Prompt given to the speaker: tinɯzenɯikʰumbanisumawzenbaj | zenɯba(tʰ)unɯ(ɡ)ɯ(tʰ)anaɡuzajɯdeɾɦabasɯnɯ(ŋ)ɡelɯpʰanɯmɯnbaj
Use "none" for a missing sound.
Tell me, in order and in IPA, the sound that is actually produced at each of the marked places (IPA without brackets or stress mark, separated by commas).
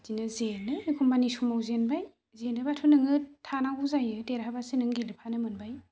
tʰ, ŋ, tʰ, ŋ